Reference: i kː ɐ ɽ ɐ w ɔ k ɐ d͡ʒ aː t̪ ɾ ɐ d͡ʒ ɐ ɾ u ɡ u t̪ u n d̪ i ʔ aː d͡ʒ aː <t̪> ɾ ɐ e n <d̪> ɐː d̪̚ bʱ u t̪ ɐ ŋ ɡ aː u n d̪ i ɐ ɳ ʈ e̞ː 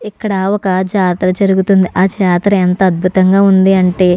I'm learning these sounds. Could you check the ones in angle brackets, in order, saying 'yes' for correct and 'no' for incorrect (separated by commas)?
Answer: yes, no